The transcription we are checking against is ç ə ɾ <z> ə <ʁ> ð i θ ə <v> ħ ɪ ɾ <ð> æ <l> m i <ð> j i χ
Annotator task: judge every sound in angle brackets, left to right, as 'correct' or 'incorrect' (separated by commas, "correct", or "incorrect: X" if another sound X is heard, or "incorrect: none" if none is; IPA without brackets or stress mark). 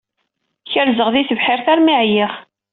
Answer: correct, correct, correct, incorrect: θ, incorrect: ɾ, incorrect: ʕ